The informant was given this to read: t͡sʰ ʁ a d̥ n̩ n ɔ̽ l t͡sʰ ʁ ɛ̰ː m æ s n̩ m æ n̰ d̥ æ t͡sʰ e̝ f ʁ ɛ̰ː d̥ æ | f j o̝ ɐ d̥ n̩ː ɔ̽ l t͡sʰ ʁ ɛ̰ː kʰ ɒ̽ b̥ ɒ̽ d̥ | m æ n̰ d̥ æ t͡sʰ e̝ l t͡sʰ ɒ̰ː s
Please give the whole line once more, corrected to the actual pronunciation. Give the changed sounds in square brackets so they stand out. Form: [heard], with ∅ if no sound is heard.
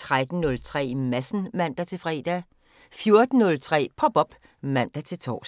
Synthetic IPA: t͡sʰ ʁ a d̥ n̩ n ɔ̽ l t͡sʰ ʁ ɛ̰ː m æ s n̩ m æ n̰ d̥ æ t͡sʰ e̝ f ʁ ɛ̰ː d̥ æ | f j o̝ ɐ d̥ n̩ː ɔ̽ l t͡sʰ ʁ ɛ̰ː [pʰ] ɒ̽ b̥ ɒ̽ [b̥] | m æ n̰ d̥ æ t͡sʰ e̝ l t͡sʰ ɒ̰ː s